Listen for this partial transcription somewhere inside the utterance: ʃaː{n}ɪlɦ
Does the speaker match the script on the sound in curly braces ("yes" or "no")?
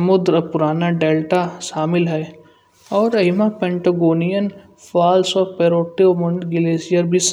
no